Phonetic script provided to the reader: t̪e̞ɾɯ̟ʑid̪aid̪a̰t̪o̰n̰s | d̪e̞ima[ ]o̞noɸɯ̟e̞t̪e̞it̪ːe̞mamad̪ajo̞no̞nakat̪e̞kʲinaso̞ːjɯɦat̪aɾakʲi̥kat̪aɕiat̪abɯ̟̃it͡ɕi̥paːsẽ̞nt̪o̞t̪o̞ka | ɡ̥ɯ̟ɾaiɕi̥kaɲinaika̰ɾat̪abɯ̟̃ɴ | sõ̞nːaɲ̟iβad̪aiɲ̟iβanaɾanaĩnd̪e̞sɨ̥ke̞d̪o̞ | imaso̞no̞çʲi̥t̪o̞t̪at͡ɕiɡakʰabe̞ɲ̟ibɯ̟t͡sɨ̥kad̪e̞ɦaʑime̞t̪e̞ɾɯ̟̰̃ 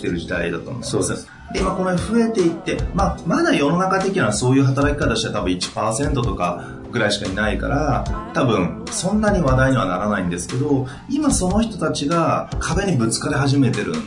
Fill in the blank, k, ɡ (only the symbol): k